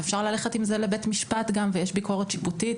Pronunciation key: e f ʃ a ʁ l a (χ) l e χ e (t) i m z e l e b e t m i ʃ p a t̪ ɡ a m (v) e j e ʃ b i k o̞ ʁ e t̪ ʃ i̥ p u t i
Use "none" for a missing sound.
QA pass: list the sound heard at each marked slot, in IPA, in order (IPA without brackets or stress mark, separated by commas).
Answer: none, t, v